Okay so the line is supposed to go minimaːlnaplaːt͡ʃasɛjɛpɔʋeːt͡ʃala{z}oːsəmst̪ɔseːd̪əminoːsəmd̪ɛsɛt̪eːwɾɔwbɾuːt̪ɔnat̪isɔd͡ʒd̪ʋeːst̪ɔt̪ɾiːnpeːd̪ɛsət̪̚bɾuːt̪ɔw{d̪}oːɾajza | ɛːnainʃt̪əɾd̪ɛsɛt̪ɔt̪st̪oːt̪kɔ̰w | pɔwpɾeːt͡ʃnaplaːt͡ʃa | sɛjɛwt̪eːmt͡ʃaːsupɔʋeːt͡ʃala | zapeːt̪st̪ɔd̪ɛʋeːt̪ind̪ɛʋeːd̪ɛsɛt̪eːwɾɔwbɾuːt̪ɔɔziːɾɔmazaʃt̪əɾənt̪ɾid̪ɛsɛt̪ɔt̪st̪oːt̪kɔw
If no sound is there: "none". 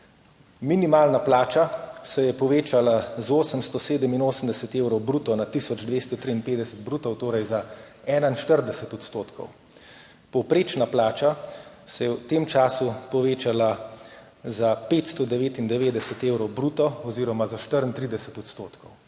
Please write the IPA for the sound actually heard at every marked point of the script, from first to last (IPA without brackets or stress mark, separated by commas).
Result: z, t̪